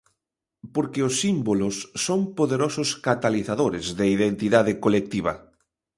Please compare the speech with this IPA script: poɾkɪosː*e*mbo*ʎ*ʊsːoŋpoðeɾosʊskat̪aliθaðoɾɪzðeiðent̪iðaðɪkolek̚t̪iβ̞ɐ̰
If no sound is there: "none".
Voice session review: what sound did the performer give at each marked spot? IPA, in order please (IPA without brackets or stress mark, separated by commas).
i, l